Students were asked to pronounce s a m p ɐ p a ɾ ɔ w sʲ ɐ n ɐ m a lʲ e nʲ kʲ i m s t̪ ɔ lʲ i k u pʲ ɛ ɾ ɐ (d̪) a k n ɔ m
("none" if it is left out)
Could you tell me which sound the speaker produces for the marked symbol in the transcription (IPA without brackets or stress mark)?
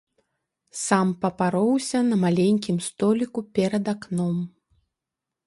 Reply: d̪